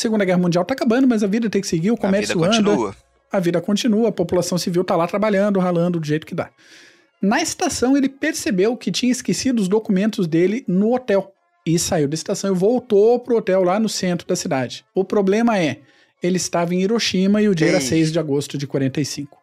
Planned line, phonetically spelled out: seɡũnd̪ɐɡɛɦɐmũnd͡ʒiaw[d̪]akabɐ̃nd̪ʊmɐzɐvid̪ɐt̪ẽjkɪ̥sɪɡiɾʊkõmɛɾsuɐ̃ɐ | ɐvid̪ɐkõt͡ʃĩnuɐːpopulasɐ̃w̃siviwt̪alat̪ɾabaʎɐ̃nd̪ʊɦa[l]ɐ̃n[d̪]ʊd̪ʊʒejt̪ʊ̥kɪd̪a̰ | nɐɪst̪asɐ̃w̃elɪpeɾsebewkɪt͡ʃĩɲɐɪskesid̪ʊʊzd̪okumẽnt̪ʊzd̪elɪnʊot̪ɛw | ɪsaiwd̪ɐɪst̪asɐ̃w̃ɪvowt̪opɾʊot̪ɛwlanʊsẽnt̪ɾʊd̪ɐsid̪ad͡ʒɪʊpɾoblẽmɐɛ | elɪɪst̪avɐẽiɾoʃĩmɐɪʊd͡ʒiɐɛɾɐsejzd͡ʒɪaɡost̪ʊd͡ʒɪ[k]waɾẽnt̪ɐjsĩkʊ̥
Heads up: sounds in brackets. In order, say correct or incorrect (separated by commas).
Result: incorrect, correct, correct, correct